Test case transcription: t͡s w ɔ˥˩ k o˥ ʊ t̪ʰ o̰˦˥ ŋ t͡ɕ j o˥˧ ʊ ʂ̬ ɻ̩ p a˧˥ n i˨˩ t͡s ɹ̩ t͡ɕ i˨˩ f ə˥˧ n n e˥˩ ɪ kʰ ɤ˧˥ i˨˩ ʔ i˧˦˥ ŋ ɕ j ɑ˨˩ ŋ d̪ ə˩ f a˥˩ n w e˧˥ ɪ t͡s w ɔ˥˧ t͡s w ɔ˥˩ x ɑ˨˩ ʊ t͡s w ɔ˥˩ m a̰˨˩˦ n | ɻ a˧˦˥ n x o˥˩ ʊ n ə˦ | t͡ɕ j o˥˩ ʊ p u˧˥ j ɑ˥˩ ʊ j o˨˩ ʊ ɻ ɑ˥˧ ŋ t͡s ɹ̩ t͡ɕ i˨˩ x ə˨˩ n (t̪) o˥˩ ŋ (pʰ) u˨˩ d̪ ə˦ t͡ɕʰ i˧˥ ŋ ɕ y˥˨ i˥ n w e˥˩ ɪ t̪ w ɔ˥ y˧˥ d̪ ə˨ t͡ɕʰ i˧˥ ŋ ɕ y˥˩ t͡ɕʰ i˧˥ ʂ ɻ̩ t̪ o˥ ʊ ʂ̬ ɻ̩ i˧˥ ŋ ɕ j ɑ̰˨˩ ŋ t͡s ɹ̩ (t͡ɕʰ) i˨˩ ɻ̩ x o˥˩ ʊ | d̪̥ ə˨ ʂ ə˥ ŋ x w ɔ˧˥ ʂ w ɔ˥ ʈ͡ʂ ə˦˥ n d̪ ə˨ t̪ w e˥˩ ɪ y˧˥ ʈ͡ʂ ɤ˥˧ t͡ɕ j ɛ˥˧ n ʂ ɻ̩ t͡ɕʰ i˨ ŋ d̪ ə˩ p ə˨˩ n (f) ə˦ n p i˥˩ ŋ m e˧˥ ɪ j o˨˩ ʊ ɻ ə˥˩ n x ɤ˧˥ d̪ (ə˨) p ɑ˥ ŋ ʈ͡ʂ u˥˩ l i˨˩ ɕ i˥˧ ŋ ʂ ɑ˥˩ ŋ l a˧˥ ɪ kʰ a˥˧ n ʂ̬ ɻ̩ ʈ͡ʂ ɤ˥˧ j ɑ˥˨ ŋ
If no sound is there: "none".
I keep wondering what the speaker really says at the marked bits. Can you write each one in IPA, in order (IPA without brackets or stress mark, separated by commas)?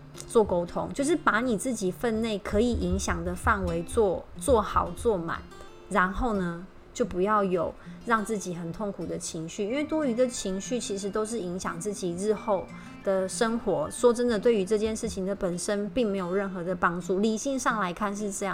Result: t̪ʰ, kʰ, t͡ɕ, ʂ, ə˨